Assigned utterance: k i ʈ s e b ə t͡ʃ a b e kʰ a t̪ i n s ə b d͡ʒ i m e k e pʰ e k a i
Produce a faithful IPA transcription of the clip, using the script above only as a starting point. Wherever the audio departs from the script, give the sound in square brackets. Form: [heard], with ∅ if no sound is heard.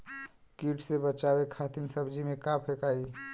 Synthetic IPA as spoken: k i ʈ s e b ə t͡ʃ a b e kʰ a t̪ i n s ə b d͡ʒ i m e k [a] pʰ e k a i